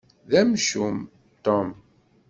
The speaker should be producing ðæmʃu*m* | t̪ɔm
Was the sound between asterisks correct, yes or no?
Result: yes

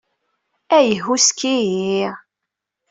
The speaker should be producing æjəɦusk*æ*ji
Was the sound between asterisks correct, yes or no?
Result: no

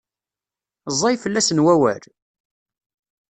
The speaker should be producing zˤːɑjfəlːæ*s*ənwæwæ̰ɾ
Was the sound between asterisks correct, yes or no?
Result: yes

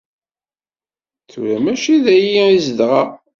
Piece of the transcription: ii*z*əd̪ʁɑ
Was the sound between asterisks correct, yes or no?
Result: yes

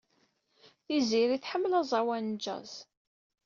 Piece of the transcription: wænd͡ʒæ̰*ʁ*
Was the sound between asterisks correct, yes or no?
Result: no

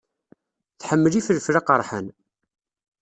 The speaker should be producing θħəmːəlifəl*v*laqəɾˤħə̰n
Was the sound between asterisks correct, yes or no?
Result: no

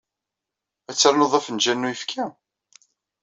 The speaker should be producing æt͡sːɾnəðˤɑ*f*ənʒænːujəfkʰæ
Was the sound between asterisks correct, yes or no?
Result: yes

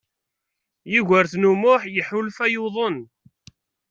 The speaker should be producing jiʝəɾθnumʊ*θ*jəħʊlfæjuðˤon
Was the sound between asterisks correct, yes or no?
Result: no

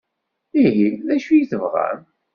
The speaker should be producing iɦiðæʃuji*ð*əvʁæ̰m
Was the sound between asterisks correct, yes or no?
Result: no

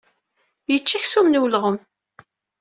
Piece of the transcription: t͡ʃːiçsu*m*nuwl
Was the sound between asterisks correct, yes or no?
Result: yes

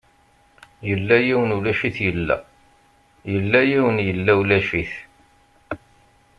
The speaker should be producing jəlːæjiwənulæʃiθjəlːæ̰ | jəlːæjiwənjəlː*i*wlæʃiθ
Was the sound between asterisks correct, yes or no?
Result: no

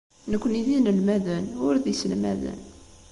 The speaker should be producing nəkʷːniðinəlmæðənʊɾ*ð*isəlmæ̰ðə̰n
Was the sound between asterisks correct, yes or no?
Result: yes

